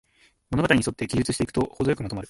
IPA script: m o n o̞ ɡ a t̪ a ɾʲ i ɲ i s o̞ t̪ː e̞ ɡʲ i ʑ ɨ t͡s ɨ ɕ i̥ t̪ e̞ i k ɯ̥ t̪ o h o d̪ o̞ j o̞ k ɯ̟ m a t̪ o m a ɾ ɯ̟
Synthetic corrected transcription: m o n o̞ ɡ a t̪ a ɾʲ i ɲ i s o̞ t̪ː e̞ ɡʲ i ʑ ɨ t͡s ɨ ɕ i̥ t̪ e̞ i k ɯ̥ t̪ o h o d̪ o̞ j o̞ k ɯ̟ m a t̪ o m a ɾ ɯ̟